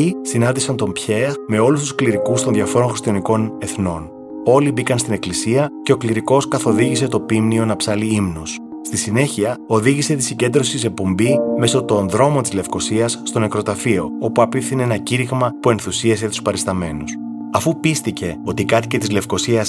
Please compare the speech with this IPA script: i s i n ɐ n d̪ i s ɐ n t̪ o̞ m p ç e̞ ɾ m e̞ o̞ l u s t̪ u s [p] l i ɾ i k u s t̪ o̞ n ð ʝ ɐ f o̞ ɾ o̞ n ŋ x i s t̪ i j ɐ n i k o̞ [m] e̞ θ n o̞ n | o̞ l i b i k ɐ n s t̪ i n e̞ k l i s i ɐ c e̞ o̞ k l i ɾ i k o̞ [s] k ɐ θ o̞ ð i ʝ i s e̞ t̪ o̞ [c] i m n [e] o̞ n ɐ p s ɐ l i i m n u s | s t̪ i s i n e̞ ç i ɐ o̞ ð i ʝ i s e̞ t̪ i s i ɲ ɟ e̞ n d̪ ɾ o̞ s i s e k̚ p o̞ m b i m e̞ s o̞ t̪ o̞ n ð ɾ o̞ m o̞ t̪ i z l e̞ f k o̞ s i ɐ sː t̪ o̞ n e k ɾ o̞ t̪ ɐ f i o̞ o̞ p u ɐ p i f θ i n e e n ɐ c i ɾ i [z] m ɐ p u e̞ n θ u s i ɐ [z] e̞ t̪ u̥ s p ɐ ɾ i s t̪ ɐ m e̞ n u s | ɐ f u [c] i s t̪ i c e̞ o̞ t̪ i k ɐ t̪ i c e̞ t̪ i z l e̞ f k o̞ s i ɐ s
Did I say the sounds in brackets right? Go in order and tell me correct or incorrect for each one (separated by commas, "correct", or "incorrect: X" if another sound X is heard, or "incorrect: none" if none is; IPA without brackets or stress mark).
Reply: incorrect: k, incorrect: n, correct, incorrect: p, incorrect: i, incorrect: ɣ, incorrect: s, incorrect: p